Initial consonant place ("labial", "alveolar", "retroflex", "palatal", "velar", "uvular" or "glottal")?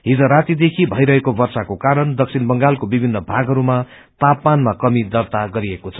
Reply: glottal